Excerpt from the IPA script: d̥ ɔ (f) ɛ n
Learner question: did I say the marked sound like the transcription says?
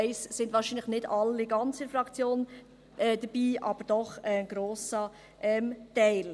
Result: no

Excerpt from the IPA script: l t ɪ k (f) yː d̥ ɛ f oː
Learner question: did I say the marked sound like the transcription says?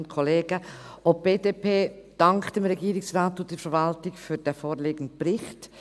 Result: yes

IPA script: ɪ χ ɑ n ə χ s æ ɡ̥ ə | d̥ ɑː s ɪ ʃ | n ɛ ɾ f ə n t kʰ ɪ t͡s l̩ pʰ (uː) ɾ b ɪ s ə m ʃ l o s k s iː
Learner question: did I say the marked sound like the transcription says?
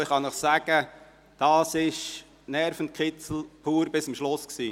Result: yes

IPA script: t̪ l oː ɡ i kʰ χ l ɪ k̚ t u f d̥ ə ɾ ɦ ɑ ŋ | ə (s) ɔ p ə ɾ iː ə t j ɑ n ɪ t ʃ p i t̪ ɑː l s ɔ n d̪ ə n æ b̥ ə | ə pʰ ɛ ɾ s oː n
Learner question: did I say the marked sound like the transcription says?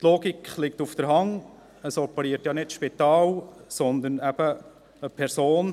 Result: yes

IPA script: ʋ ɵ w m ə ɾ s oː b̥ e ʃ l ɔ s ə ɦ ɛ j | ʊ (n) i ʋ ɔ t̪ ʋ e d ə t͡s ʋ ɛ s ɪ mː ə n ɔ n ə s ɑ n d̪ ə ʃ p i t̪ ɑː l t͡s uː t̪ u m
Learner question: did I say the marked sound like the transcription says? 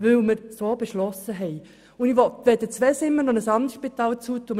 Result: yes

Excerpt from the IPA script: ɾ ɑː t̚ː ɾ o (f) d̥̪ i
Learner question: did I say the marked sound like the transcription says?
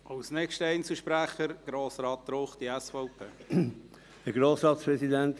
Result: no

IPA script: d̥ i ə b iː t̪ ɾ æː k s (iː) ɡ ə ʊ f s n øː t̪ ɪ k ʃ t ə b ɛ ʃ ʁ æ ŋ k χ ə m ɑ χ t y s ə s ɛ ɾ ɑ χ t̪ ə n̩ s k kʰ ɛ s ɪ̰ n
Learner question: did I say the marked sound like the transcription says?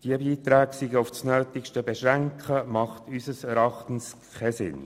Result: no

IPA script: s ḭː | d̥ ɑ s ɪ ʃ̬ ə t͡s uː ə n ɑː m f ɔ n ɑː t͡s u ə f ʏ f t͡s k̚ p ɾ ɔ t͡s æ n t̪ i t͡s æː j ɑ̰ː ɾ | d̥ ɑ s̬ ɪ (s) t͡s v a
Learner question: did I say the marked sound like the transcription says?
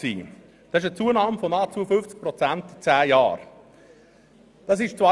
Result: no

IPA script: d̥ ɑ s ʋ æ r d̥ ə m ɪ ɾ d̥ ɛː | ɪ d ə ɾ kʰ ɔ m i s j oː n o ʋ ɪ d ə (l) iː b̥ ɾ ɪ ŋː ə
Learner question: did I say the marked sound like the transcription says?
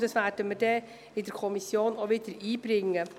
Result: no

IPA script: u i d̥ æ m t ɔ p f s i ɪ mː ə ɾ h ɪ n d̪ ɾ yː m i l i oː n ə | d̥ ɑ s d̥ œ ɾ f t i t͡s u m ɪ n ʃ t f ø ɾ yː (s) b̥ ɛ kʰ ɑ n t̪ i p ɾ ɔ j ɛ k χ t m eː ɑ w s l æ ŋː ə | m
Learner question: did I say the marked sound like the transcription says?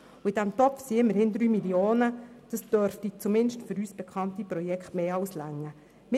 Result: yes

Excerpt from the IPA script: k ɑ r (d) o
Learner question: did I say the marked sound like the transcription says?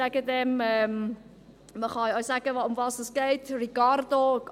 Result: yes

